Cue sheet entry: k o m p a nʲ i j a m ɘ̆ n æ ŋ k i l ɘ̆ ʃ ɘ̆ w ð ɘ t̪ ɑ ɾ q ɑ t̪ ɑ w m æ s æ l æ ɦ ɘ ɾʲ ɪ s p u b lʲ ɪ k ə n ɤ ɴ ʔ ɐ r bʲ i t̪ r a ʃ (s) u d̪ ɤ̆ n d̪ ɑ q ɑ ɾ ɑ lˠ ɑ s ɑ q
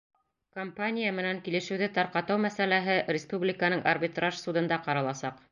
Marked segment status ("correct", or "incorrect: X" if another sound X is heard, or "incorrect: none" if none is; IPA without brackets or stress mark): correct